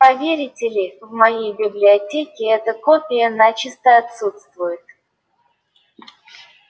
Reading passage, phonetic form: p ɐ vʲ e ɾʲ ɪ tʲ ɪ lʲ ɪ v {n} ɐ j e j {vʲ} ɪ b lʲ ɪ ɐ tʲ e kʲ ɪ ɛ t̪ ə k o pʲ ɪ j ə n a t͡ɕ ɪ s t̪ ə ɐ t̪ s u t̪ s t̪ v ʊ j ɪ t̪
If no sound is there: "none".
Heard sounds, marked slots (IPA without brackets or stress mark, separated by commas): m, bʲ